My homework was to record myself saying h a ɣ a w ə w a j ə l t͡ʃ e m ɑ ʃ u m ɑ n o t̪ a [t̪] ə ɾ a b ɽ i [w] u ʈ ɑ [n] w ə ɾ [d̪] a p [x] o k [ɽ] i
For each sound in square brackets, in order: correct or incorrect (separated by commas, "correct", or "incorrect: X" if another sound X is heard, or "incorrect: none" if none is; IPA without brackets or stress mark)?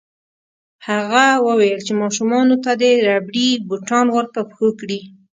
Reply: incorrect: d̪, incorrect: b, correct, incorrect: t̪, correct, correct